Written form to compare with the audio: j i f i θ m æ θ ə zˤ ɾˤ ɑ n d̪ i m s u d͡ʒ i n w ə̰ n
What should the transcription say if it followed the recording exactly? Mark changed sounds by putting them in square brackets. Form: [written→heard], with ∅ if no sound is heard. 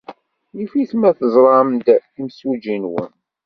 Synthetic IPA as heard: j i f i θ m æ θ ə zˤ ɾˤ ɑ [n→m] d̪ i m s u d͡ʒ i n w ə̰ n